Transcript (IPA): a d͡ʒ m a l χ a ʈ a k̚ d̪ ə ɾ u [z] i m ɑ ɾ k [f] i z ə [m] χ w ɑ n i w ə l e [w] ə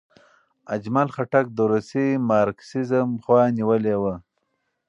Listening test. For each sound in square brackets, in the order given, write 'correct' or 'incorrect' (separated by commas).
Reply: incorrect, incorrect, correct, correct